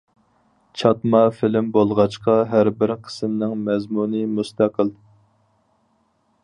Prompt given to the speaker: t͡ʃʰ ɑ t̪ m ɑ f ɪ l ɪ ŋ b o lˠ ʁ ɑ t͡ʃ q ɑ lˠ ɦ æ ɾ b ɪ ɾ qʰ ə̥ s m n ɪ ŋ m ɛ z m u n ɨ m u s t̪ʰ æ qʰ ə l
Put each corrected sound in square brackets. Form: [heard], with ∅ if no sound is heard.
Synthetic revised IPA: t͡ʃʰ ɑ t̪ m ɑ f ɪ l ɪ [m] b o lˠ ʁ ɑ t͡ʃ q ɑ [∅] ɦ æ ɾ b ɪ ɾ qʰ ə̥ s m n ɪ ŋ m ɛ z m u n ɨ m u s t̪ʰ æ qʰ ə l